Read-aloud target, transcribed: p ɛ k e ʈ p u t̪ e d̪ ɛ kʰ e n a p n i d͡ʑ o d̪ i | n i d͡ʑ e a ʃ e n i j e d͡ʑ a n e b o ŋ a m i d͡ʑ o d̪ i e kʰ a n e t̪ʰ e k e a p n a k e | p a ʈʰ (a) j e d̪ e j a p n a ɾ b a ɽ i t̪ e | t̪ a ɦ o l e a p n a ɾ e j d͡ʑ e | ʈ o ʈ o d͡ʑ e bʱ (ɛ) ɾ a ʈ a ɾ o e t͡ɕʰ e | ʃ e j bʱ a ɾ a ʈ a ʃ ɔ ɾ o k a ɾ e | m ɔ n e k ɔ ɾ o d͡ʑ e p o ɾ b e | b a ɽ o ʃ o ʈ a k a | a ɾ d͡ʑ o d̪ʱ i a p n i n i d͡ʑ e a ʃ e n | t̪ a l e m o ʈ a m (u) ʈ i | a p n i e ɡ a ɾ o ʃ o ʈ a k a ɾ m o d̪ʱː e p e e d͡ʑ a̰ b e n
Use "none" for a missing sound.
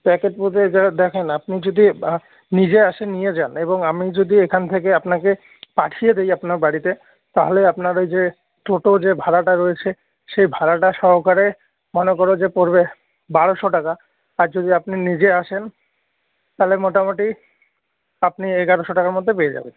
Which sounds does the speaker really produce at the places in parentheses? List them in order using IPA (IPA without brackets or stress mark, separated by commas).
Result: i, a, o